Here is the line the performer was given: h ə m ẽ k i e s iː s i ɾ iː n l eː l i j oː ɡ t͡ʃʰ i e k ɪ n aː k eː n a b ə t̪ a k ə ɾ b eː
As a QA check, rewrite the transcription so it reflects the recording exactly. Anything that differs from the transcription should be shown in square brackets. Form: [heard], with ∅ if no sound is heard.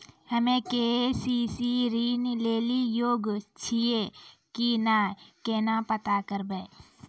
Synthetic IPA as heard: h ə m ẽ k [e] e s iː s i ɾ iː n l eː l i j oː ɡ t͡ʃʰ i e k [i] n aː k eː n a [p] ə t̪ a k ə ɾ b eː